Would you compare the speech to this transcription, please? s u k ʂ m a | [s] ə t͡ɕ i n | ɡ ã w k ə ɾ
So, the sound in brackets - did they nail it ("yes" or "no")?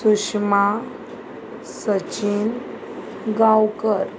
yes